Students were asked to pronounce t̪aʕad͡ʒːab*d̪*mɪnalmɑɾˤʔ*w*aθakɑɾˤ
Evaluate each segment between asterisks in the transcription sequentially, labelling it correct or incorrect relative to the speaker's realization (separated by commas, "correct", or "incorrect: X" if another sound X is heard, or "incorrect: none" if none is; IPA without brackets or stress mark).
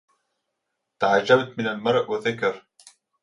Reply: incorrect: t̪, correct